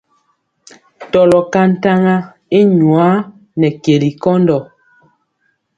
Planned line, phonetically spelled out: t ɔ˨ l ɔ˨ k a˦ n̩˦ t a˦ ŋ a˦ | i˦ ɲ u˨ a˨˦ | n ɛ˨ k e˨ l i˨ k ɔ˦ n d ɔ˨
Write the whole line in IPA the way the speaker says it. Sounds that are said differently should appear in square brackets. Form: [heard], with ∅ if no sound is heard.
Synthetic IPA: t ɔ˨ l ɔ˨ k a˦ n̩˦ t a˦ ŋ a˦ | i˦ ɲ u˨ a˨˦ | n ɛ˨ k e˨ l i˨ k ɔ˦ n d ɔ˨